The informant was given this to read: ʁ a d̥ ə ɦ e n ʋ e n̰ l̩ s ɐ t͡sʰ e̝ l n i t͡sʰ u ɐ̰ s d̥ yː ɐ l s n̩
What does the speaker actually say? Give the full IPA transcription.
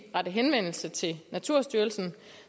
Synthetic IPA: ʁ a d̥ ə ɦ e n ʋ e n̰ l̩ s ə t͡sʰ e̝ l n æ t͡sʰ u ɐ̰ s d̥ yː ɐ l s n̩

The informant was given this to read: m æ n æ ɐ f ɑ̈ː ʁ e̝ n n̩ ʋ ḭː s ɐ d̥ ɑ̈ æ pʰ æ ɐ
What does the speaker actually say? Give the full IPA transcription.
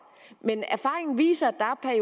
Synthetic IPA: m e n æ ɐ f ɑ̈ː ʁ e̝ ŋ n̩ ʋ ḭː s ɐ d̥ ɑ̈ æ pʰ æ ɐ

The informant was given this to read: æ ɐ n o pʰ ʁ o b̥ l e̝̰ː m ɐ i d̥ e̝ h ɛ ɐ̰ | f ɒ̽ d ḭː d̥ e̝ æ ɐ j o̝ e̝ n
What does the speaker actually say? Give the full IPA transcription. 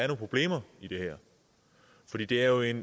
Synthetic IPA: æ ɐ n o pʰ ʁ o b̥ l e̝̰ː m ɐ i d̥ e̝ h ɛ ɐ̰ | f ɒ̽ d ḭː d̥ e̝ æ ɐ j o̝ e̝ n

